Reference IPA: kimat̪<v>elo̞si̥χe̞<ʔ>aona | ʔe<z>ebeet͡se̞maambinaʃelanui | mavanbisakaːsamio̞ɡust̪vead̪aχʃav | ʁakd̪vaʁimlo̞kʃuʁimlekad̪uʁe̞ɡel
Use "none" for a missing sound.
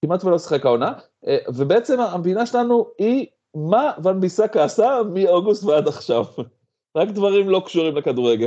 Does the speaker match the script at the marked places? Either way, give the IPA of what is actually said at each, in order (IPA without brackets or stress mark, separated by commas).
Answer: v, k, v